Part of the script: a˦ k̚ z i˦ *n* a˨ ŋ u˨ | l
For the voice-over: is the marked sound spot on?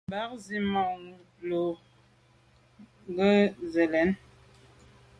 no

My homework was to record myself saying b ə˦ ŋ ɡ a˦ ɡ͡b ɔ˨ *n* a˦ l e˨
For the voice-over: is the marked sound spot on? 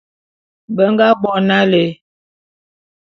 yes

